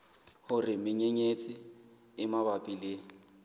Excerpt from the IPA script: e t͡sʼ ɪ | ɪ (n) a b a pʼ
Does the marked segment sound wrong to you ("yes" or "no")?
yes